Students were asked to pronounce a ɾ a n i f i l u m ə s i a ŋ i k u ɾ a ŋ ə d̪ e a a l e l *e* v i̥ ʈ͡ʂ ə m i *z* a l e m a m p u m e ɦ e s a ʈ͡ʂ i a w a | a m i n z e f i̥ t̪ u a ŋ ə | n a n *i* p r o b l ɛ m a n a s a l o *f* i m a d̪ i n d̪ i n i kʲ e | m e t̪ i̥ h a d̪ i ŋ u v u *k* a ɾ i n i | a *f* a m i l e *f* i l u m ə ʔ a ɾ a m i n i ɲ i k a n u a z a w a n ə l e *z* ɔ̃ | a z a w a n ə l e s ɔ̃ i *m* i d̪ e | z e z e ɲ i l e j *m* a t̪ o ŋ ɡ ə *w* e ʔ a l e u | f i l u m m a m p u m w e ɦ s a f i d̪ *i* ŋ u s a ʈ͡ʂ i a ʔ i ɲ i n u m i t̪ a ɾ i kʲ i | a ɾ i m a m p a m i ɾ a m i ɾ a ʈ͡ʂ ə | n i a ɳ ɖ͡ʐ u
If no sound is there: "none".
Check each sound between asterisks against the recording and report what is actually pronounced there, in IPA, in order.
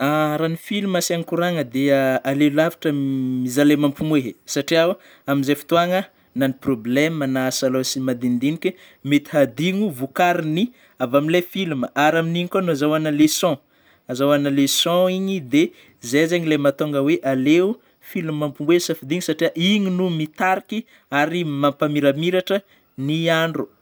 a, z, i, s, k, v, f, s, ɲ, m, w, i

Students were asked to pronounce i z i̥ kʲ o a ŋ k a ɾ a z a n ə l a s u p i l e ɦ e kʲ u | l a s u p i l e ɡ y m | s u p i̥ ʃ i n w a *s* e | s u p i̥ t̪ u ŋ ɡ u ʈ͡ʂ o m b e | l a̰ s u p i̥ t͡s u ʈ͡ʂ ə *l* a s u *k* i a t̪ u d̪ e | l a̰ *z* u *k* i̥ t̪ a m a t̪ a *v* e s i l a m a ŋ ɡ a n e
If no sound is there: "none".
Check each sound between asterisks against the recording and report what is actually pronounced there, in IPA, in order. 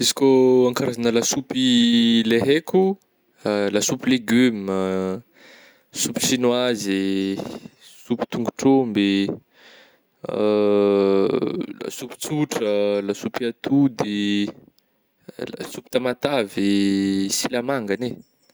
z, l, p, s, p, v

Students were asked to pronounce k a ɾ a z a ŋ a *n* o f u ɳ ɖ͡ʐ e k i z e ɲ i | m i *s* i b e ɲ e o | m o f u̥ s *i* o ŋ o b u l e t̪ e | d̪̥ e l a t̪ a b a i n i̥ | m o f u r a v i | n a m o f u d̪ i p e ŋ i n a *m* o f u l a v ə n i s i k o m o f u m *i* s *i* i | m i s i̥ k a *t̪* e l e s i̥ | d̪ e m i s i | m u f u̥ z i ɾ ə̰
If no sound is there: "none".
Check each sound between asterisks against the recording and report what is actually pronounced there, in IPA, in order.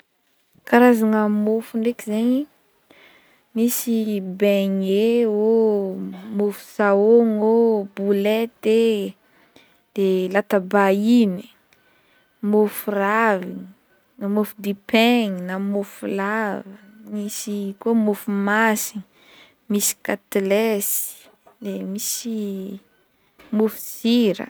m, s, a, m, a, i, t̪

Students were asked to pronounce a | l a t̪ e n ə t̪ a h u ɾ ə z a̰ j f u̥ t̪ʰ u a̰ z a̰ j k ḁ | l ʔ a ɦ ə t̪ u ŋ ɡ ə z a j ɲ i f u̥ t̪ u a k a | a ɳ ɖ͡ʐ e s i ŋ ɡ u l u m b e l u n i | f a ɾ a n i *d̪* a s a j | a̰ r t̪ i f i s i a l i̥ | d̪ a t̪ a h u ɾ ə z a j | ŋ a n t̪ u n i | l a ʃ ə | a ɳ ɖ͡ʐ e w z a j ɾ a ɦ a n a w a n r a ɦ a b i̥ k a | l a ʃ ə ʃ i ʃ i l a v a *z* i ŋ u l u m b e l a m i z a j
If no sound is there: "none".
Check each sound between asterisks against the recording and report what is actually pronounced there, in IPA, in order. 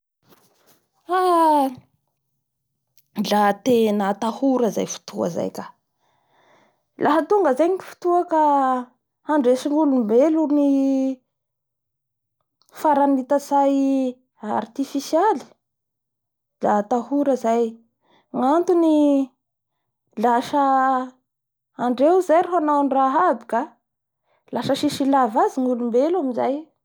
t̪, z

